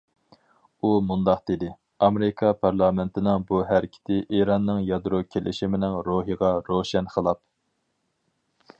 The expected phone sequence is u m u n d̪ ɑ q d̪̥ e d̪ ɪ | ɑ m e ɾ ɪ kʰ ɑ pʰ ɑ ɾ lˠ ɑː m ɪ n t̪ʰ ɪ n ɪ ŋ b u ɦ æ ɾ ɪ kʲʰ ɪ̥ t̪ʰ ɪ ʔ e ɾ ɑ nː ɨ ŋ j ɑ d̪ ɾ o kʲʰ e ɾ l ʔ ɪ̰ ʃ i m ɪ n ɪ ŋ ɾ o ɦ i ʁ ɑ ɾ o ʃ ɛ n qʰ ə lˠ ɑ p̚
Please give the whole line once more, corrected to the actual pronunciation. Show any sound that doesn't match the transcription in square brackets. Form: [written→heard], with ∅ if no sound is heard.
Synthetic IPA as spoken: u m u n d̪ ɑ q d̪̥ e d̪ ɪ | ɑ m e ɾ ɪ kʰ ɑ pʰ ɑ ɾ lˠ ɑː m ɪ n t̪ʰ ɪ n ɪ ŋ b u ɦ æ ɾ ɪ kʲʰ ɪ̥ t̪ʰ ɪ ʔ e ɾ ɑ nː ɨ ŋ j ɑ d̪ ɾ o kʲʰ e [ɾ→∅] l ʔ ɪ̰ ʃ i m ɪ n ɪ ŋ ɾ o ɦ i ʁ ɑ ɾ o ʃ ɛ n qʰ ə lˠ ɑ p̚